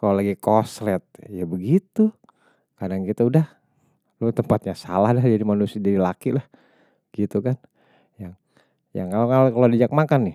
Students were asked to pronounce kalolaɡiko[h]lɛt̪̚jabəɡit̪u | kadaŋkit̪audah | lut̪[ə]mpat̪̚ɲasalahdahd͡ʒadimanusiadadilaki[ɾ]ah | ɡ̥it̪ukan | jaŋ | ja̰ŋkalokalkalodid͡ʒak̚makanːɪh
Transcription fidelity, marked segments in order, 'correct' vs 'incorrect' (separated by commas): incorrect, correct, incorrect